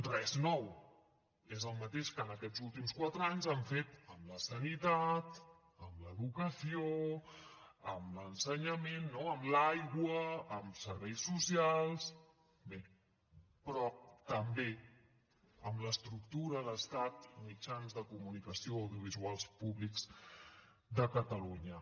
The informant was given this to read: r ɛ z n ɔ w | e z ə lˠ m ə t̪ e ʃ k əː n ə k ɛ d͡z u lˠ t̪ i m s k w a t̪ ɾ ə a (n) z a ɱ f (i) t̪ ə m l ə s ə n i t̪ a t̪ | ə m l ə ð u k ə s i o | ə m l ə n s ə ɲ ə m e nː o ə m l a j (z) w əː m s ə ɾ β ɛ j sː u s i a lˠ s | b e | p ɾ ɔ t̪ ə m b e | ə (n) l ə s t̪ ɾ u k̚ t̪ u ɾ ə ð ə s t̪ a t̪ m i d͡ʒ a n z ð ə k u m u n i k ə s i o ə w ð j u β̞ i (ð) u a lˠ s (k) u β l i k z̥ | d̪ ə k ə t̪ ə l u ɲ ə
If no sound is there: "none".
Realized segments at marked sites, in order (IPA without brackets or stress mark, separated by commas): ɲ, e, ɣ, m, z, p